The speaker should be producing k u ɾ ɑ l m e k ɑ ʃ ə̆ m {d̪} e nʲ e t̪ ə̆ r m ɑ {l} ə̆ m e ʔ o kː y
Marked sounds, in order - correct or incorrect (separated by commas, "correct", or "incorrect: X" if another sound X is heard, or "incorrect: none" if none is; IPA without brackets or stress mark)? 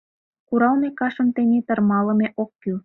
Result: incorrect: t̪, correct